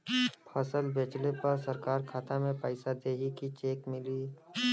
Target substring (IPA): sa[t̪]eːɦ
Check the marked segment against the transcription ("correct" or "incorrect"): incorrect